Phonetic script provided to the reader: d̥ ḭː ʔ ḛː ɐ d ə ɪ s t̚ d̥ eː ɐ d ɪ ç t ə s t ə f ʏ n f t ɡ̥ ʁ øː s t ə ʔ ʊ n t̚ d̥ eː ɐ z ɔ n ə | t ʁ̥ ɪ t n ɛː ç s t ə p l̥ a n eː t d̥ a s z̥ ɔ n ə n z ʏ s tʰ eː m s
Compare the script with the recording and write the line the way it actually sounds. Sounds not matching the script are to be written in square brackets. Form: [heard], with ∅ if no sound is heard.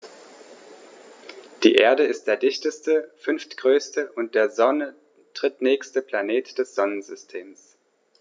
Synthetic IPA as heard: d̥ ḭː ʔ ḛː ɐ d ə ɪ s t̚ d̥ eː ɐ d ɪ ç t ə s t ə f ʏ n f t ɡ̥ ʁ øː s t ə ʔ ʊ n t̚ d̥ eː ɐ z ɔ n ə | t ʁ̥ ɪ t n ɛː ç s t ə p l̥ a n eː t d̥ [ɛ] s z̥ ɔ n ə n z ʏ s tʰ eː m s